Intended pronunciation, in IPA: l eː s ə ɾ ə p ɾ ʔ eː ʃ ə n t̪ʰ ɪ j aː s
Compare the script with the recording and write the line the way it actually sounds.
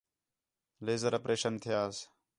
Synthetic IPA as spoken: l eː z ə ɾ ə p ɾ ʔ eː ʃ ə n t̪ʰ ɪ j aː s